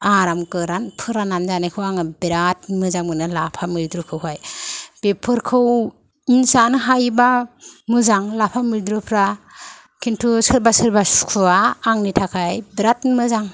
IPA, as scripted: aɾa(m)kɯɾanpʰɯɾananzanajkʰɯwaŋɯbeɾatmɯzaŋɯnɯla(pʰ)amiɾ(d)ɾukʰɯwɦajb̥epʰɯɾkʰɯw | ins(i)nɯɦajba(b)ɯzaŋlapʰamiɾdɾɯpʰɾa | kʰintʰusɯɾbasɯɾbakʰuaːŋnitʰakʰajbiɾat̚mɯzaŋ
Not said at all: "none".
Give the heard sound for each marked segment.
m, pʰ, d, a, m

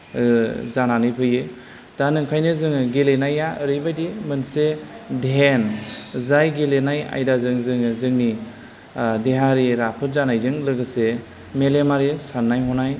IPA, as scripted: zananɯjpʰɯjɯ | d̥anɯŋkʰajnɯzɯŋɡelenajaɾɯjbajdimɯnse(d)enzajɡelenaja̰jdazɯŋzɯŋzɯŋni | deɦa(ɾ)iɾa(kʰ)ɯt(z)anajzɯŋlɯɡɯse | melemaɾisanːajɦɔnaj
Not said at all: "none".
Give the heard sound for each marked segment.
d, ɾ, pʰ, z

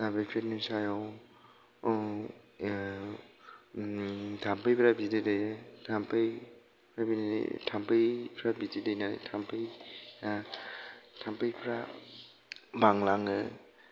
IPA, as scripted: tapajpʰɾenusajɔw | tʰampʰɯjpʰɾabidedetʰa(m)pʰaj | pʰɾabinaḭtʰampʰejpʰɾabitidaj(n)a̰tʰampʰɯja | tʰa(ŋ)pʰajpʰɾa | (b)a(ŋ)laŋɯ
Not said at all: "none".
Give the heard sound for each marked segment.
m, n, m, b, ŋ

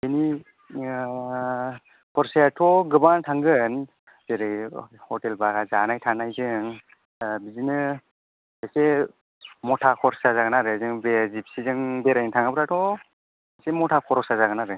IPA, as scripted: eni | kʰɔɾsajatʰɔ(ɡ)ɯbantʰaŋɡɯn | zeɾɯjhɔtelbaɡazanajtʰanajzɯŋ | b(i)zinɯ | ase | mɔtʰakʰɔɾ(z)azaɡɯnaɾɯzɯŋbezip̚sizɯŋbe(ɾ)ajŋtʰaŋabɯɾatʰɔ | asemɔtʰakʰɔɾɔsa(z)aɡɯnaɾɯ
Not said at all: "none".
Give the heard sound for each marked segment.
ɡ, i, s, ɾ, z

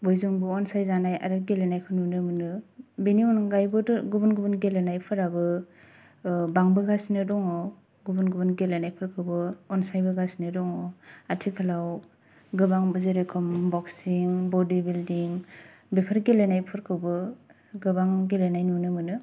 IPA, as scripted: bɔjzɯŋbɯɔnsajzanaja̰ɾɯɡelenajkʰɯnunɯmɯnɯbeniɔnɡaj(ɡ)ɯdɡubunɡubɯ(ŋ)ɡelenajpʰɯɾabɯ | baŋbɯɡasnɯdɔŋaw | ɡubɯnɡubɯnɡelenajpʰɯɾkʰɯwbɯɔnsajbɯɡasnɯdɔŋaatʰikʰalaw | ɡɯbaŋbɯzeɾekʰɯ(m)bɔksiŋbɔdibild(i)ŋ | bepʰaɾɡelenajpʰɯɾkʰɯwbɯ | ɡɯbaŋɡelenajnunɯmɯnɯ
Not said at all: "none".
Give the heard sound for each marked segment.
b, n, m, i

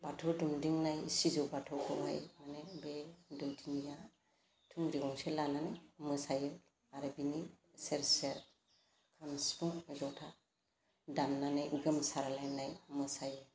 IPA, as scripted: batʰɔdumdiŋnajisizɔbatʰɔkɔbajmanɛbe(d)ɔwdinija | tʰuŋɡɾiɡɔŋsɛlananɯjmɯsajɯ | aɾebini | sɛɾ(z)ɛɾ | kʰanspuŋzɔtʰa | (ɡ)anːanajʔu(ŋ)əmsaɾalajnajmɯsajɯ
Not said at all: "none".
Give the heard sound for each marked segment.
d, s, d, ɡ

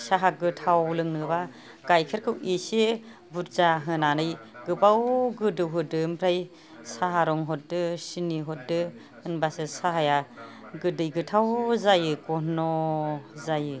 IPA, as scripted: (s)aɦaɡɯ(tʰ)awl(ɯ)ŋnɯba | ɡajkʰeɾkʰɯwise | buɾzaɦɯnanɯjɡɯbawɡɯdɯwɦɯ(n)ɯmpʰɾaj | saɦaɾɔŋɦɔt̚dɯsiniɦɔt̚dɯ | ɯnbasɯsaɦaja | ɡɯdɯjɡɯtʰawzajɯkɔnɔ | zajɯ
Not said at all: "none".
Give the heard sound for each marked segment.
s, tʰ, ɯ, d

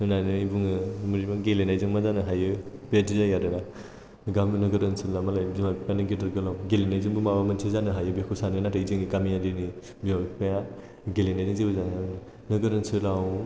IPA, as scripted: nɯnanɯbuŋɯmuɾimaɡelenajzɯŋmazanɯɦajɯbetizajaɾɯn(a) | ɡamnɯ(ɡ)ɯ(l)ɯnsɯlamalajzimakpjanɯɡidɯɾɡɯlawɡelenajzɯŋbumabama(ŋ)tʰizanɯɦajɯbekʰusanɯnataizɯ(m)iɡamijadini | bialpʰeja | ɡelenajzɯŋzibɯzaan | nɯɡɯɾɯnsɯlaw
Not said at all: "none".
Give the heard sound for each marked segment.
a, ɡ, ɾ, n, ŋ

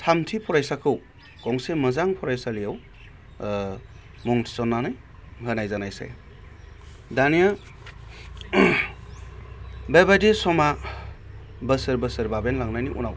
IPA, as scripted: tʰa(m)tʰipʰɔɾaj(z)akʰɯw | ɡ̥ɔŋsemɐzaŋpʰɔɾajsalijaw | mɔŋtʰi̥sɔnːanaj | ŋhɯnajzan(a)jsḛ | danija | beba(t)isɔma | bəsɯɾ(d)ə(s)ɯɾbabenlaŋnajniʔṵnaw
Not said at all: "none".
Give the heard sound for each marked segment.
m, s, a, d, b, s

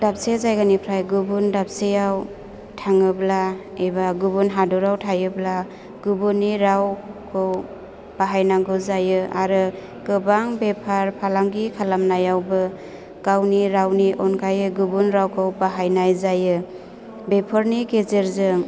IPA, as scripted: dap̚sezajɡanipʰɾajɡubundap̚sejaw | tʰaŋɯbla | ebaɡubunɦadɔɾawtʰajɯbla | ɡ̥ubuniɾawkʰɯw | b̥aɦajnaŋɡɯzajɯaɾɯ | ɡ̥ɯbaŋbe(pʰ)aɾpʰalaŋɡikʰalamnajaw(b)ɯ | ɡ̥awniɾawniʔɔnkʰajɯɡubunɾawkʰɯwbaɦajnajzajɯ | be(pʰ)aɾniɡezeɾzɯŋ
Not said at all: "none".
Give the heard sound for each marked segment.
pʰ, b, pʰ

